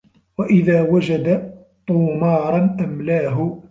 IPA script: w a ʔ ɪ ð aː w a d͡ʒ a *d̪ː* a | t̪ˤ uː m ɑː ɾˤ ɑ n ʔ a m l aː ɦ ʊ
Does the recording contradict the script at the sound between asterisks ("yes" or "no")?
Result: yes